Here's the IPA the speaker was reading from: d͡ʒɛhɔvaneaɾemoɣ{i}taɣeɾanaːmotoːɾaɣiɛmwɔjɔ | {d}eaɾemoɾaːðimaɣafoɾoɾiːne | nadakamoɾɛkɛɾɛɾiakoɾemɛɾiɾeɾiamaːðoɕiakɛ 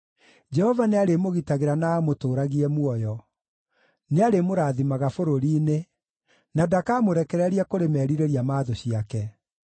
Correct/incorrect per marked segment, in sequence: correct, incorrect

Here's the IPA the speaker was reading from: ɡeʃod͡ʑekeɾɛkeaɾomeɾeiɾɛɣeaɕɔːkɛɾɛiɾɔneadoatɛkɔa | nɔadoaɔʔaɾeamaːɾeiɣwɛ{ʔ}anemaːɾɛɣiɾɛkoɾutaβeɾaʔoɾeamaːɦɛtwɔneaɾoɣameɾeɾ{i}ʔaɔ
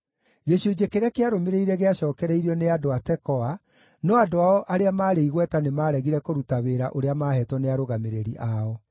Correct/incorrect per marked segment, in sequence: incorrect, correct

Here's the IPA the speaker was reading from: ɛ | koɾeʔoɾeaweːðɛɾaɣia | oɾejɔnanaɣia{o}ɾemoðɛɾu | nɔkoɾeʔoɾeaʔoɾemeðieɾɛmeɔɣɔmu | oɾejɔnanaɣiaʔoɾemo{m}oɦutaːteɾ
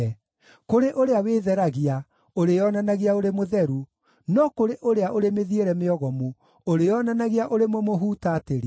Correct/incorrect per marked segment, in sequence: correct, correct

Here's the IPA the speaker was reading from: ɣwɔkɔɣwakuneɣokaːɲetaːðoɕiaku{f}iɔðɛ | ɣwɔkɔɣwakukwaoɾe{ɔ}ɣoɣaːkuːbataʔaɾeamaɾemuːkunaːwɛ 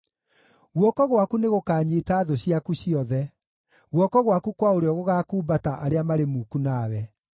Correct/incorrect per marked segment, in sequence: incorrect, correct

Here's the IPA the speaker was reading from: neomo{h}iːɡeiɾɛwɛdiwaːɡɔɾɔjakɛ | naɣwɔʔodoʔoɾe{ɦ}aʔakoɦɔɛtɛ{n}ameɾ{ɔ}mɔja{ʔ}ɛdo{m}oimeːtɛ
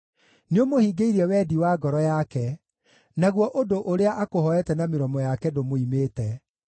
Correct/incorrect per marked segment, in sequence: correct, incorrect, correct, correct, incorrect, correct

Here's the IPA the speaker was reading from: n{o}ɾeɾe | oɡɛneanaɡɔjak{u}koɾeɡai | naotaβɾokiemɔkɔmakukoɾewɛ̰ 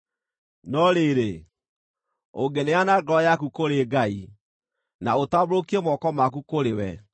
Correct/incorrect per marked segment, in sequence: incorrect, correct

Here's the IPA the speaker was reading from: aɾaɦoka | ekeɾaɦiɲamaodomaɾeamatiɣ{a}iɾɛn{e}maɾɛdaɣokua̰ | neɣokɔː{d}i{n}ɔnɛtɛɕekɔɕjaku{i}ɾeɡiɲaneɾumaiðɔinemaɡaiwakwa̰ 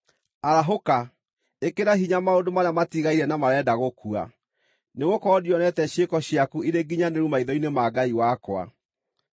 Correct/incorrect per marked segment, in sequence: correct, incorrect, correct, incorrect, correct

